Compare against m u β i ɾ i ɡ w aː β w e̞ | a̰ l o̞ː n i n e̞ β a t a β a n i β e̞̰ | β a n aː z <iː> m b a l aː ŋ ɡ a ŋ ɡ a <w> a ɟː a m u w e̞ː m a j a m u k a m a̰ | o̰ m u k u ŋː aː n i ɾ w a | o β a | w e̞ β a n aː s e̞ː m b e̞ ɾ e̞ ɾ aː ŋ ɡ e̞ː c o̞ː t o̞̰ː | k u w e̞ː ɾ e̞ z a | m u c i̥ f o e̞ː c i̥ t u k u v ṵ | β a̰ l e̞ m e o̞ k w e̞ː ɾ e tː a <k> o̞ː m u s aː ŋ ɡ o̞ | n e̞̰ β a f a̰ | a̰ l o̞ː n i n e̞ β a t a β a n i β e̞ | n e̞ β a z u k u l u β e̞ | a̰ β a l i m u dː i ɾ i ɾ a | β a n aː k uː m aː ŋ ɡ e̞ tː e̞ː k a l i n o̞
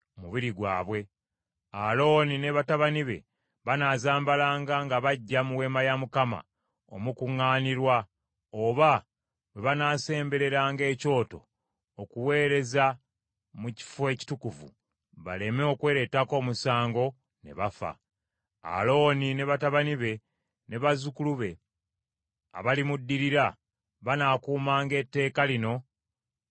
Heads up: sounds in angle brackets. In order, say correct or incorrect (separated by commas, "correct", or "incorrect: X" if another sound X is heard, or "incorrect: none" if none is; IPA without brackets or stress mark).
incorrect: aː, incorrect: β, correct